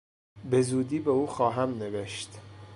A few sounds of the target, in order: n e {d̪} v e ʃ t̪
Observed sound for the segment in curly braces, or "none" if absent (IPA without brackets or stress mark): none